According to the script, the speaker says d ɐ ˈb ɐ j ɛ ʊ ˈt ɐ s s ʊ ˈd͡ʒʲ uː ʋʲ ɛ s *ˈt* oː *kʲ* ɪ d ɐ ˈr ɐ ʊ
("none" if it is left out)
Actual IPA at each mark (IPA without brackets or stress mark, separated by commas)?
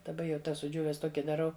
t, kʲ